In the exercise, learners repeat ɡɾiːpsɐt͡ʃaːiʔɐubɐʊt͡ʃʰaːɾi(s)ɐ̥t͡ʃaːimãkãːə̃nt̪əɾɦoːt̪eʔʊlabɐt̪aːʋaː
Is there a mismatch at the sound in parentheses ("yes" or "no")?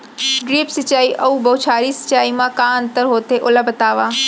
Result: no